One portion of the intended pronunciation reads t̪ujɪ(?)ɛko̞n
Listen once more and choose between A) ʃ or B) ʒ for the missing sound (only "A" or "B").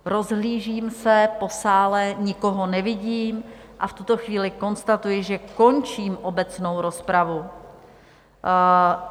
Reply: B